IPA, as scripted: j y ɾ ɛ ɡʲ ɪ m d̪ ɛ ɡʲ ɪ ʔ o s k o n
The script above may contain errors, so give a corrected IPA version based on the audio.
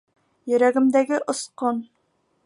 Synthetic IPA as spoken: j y ɾ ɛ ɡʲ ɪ m d̪ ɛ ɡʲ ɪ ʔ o s q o n